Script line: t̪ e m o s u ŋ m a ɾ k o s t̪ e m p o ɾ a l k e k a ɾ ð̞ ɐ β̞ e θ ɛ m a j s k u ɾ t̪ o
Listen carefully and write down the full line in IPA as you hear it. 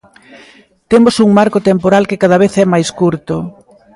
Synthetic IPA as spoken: t̪ e m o s u ŋ m a ɾ k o t̪ e m p o ɾ a l k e k a ð̞ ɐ β̞ e θ ɛ m a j s k u ɾ t̪ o

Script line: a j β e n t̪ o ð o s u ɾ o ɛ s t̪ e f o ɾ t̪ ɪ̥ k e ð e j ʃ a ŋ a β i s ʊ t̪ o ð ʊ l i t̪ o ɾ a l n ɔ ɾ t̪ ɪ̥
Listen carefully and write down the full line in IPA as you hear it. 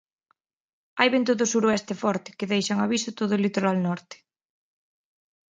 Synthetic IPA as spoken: a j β e n t̪ o ð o s u ɾ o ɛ s t̪ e f ɔ ɾ t̪ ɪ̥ k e ð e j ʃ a ŋ a β i s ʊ t̪ o ð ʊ l i t̪ o ɾ a l n ɔ ɾ t̪ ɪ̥

